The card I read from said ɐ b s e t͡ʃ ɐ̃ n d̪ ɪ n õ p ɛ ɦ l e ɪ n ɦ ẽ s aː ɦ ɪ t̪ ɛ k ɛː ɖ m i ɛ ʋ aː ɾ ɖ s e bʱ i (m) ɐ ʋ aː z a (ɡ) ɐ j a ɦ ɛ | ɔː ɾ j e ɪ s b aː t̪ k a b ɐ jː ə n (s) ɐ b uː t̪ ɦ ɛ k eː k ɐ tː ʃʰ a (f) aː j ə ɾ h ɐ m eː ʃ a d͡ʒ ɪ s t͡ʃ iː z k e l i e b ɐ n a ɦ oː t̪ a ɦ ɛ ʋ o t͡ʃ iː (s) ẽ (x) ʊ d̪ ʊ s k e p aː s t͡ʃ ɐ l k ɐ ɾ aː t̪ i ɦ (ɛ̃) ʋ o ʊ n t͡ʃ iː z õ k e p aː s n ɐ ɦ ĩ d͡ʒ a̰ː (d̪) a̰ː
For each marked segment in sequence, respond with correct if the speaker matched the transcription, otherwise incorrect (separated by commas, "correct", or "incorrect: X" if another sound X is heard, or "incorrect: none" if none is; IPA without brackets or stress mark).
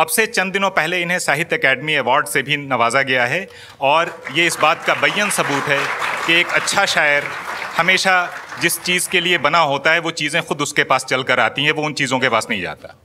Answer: incorrect: n, correct, correct, incorrect: ʃ, incorrect: z, correct, correct, incorrect: t̪